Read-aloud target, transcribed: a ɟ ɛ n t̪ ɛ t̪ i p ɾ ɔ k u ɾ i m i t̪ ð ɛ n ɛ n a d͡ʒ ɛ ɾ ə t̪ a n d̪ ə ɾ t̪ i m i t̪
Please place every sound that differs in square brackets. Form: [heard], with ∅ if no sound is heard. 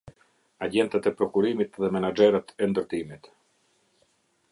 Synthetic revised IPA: a ɟ ɛ n t̪ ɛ t̪ [ɛ] p ɾ ɔ k u ɾ i m i t̪ ð ɛ [m] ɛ n a d͡ʒ ɛ ɾ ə t̪ [ɛ] n d̪ ə ɾ t̪ i m i t̪